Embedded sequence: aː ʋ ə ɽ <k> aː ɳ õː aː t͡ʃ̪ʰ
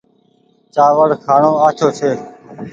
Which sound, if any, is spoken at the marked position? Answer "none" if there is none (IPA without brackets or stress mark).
kʰ